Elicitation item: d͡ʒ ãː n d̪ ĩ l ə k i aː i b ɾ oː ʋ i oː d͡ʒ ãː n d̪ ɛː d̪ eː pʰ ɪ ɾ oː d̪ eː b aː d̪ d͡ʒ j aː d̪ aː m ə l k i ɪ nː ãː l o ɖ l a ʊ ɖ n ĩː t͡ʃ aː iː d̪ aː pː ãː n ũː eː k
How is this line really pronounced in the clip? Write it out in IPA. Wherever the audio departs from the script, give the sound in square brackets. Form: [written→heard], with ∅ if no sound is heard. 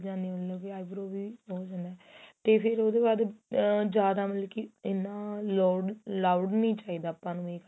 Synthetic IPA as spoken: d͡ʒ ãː n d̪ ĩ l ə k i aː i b ɾ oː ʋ i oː d͡ʒ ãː n d̪ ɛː [d̪→t̪] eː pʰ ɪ ɾ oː d̪ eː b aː d̪ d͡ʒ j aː d̪ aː m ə l k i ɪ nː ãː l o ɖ l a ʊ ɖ n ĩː t͡ʃ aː iː d̪ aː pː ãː n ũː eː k